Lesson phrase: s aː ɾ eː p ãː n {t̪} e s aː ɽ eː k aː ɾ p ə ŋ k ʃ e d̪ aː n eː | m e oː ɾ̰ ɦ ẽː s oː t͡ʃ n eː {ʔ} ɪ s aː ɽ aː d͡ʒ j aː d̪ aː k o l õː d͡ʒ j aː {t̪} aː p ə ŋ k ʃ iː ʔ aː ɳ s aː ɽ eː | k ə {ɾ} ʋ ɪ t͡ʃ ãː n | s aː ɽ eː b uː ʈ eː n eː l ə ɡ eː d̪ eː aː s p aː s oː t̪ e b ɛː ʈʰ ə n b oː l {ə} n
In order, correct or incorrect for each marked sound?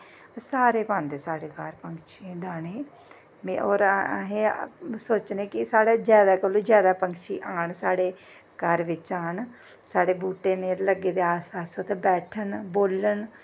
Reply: incorrect: d̪, incorrect: k, incorrect: d̪, correct, correct

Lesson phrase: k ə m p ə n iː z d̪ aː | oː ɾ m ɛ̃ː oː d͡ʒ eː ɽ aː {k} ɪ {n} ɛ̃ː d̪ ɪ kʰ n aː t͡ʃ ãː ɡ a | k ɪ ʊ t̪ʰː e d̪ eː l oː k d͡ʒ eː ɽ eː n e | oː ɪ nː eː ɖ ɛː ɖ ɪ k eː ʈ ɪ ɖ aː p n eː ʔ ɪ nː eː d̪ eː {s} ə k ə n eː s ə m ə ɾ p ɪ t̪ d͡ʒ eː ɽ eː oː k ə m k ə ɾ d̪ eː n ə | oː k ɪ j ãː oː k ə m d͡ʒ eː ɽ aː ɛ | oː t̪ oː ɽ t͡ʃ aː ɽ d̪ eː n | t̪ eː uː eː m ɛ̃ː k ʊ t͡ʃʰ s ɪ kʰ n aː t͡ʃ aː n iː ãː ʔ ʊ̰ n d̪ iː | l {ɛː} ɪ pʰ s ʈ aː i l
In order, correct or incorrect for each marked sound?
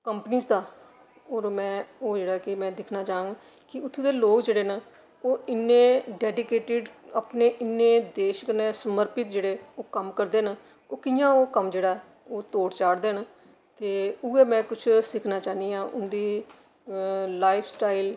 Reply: correct, incorrect: m, incorrect: ʃ, incorrect: aː

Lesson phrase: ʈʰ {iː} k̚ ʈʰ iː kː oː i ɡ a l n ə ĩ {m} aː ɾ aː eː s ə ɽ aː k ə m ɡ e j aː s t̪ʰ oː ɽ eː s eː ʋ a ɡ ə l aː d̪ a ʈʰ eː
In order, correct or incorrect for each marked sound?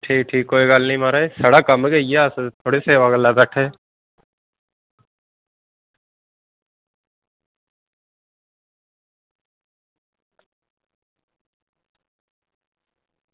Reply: correct, correct

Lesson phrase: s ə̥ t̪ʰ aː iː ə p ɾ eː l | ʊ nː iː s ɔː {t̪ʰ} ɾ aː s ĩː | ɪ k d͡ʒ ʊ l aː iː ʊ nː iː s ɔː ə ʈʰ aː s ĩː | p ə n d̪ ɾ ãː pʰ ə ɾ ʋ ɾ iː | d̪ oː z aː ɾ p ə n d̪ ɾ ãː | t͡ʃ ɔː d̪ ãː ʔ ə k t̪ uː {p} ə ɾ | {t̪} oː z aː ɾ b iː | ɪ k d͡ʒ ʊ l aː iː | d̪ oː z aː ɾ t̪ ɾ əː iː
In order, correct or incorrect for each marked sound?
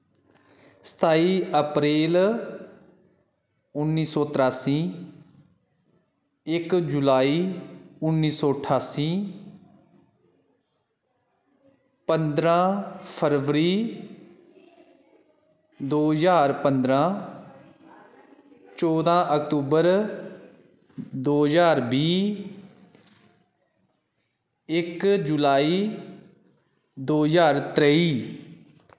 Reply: incorrect: t̪, incorrect: b, incorrect: d̪

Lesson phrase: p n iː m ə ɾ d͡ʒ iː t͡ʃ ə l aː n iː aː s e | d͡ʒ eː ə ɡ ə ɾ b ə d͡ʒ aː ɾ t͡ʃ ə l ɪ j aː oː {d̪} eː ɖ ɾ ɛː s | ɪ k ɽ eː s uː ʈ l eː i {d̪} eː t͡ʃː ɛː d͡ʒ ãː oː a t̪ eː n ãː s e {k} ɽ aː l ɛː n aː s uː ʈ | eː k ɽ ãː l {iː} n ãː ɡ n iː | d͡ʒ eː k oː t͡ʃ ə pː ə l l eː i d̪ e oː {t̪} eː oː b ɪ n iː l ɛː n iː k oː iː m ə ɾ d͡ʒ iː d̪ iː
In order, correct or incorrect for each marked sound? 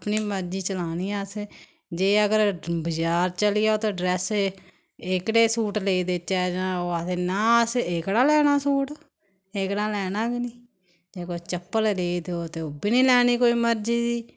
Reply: incorrect: t̪, correct, correct, incorrect: ɛː, correct

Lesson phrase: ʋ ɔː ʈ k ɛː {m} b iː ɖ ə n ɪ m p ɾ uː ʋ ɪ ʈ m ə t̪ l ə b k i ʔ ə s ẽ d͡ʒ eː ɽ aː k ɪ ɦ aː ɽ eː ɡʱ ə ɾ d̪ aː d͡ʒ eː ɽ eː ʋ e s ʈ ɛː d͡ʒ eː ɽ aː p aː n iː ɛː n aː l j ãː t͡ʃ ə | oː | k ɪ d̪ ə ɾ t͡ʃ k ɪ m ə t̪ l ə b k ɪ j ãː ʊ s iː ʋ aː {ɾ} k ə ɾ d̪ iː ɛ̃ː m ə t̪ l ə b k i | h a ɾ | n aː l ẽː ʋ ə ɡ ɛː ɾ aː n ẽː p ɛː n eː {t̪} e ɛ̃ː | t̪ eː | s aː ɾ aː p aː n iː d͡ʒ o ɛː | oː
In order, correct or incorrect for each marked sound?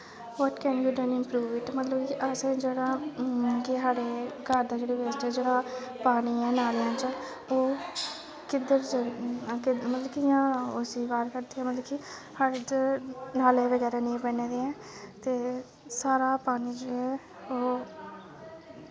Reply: incorrect: n, correct, incorrect: d̪

